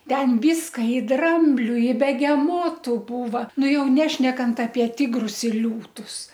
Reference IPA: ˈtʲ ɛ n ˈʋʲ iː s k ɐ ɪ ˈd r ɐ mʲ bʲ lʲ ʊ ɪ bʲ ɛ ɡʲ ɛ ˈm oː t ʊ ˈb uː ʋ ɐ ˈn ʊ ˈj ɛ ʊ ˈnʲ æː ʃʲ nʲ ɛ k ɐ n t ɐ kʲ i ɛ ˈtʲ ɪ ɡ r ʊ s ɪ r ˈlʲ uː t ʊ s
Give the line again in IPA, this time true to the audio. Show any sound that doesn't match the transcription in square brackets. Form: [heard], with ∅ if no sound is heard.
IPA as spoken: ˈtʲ ɛ n ˈʋʲ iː s k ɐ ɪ ˈd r ɐ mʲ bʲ lʲ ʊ ɪ bʲ ɛ ɡʲ ɛ ˈm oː t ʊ ˈb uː ʋ ɐ ˈn ʊ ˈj ɛ ʊ ˈnʲ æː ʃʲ nʲ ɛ k ɐ n t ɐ [pʲ] i ɛ ˈtʲ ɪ ɡ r ʊ s ɪ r ˈlʲ uː t ʊ s